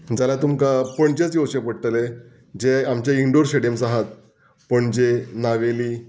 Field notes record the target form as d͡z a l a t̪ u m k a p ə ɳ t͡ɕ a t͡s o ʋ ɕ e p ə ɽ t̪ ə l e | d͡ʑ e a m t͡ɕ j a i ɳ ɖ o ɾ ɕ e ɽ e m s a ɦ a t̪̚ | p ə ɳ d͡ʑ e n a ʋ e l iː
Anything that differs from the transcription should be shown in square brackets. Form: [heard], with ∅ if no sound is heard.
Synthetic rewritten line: d͡z a l a t̪ u m k a p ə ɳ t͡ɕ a t͡s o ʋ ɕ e p ə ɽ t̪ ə l e | d͡ʑ e a m t͡ɕ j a i ɳ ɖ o ɾ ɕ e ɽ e m s a ɦ a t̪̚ | p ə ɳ d͡ʑ e n a ʋ e l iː